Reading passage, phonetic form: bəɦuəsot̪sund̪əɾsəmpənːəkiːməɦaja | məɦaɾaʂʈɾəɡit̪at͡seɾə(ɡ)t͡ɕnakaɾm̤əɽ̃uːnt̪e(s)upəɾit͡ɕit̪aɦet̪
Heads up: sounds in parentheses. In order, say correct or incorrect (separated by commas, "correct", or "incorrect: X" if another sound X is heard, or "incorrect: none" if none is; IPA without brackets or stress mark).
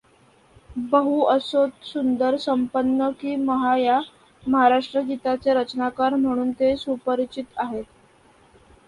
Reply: incorrect: none, correct